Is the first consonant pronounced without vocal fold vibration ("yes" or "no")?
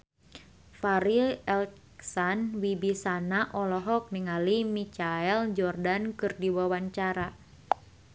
yes